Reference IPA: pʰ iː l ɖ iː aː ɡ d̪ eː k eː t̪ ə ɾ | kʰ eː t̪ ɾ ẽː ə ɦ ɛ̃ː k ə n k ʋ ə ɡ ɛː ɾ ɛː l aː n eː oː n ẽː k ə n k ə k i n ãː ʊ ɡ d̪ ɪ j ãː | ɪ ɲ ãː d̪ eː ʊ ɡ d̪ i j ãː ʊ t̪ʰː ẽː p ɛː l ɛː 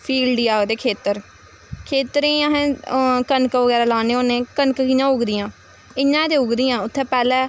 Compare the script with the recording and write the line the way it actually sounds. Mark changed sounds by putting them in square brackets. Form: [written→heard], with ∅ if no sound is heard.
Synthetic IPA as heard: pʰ iː l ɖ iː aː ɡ d̪ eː [k→kʰ] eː t̪ ə ɾ | kʰ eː t̪ ɾ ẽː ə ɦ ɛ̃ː k ə n k ʋ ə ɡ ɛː ɾ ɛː l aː n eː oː n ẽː k ə n k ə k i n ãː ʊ ɡ d̪ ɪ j ãː | ɪ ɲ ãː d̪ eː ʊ ɡ d̪ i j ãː ʊ t̪ʰː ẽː p ɛː l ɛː